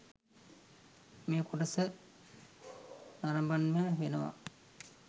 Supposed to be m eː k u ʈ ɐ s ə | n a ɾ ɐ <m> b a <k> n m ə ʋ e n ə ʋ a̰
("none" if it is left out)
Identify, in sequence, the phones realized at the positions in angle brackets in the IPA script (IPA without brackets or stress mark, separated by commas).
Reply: m, none